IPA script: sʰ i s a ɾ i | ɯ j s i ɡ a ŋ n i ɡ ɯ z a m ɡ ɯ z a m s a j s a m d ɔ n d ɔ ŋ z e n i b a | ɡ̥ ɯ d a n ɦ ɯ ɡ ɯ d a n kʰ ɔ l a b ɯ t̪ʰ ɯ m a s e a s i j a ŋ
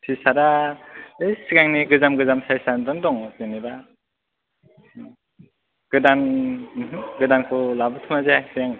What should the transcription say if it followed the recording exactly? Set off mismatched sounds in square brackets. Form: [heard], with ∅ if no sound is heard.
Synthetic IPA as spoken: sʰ i s a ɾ [a] | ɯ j s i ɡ a ŋ n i ɡ ɯ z a m ɡ ɯ z a m s a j s a [n] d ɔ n d ɔ ŋ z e n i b a | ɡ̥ ɯ d a n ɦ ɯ ɡ ɯ d a n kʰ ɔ l a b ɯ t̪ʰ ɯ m a [z] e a s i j a ŋ

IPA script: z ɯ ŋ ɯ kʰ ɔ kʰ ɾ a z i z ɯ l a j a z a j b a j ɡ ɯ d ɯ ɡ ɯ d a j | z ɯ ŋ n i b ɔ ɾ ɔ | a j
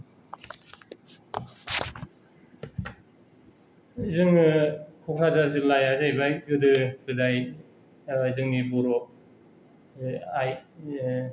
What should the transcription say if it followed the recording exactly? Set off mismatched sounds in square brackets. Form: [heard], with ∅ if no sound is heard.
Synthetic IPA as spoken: z ɯ ŋ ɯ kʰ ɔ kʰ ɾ a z [a] z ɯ l a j a z a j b a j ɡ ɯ d ɯ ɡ ɯ d a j | z ɯ ŋ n i b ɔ ɾ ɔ | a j

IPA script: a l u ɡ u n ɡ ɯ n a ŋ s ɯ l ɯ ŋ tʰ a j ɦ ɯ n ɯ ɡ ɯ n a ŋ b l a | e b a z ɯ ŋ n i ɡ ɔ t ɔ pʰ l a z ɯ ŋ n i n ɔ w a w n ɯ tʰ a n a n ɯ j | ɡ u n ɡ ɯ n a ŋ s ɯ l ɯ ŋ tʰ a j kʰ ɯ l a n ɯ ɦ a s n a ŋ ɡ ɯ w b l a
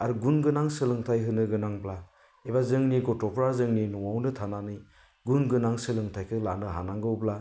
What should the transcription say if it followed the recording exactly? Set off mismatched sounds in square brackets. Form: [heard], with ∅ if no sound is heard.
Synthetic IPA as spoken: a [ɾ] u ɡ u n ɡ ɯ n a ŋ s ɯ l ɯ ŋ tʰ a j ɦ ɯ n ɯ ɡ ɯ n a ŋ b l a | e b a z ɯ ŋ n i ɡ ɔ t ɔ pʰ [ɾ] a z ɯ ŋ n i n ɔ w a w n ɯ tʰ a n a n ɯ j | ɡ u n ɡ ɯ n a ŋ s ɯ l ɯ ŋ tʰ a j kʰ ɯ l a n ɯ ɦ a [∅] n a ŋ ɡ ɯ w b l a

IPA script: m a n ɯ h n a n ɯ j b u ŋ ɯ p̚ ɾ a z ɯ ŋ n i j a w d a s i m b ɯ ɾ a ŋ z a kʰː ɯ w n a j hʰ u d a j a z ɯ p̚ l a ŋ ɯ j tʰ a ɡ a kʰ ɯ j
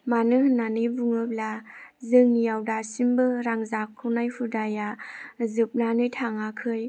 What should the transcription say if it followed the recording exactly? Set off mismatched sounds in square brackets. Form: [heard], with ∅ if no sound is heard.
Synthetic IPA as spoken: m a n ɯ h n a n ɯ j b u ŋ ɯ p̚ [l] a z ɯ ŋ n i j a w d a s i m b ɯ ɾ a ŋ z a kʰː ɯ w n a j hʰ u d a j a z ɯ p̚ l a [n] ɯ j tʰ a [ŋ] a kʰ ɯ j

